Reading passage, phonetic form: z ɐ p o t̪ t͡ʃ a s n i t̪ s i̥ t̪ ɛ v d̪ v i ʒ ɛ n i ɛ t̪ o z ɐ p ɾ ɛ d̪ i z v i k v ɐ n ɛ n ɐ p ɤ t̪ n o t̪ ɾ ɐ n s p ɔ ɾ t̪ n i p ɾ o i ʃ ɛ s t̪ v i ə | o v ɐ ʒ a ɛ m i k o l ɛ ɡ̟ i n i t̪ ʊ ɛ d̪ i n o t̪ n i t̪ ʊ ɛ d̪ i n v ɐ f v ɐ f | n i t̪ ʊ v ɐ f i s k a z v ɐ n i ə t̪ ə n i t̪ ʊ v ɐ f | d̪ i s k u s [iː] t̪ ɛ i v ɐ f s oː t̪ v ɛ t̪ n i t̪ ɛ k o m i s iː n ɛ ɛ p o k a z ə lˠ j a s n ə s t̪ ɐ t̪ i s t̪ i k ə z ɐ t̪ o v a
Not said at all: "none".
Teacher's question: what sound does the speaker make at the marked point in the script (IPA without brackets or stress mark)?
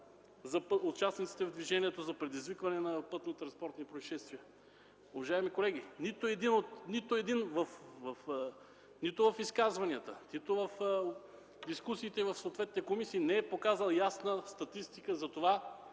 iː